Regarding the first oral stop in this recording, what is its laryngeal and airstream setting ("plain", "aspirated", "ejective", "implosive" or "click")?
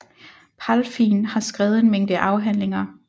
aspirated